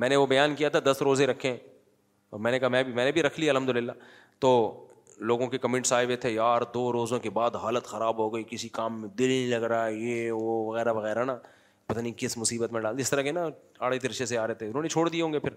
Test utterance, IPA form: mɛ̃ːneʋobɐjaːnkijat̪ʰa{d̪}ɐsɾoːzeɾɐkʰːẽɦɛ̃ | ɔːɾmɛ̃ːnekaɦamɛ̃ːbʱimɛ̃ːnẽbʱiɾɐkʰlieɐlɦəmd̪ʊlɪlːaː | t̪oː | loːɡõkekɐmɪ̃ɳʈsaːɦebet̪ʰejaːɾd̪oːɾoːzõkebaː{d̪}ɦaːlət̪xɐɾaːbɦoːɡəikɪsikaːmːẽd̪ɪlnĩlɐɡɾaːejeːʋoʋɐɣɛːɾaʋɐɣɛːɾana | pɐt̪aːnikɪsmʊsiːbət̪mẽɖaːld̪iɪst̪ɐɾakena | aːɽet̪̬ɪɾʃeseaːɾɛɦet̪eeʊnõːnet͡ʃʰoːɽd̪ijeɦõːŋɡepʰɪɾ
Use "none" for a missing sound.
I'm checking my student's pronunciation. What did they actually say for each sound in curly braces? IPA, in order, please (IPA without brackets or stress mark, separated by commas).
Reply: d̪, d̪